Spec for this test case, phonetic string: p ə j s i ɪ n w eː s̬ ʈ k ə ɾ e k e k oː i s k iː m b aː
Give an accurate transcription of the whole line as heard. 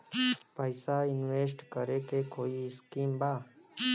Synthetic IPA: p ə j s a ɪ n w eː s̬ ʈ k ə ɾ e k e k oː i s k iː m b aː